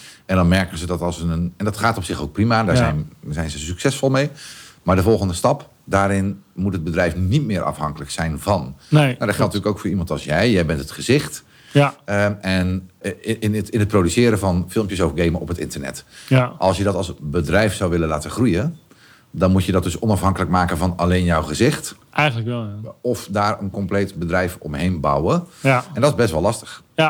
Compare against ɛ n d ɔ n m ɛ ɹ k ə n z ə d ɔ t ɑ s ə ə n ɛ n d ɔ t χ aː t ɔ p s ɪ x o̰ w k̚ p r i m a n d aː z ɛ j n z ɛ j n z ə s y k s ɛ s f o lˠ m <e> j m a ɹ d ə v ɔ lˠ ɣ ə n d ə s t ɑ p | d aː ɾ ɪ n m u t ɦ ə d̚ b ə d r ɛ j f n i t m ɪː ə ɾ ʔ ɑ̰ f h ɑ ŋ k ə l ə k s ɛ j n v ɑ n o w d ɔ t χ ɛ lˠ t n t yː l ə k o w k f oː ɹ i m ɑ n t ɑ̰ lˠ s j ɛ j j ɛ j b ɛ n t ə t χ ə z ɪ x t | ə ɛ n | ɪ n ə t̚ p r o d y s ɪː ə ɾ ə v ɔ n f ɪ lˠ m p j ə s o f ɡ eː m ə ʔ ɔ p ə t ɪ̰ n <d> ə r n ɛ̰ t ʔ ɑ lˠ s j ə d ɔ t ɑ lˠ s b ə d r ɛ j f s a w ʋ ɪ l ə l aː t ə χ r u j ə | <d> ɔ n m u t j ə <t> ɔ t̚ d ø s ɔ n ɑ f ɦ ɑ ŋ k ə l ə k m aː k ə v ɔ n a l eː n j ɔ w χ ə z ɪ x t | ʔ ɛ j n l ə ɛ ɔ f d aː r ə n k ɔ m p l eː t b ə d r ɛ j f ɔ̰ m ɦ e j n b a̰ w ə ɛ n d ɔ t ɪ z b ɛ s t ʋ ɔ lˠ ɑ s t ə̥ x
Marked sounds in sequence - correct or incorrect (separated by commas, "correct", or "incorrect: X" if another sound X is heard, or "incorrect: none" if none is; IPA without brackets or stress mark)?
correct, incorrect: t, correct, incorrect: d